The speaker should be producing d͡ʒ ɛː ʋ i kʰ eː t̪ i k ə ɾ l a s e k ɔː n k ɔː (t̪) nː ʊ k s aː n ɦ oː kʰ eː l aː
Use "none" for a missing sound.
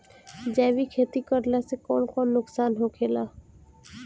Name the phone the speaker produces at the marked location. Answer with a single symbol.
none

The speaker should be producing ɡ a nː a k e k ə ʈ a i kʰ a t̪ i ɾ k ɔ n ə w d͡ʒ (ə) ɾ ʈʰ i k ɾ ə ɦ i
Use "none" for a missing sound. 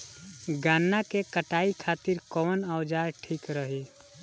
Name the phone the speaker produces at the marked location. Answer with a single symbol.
a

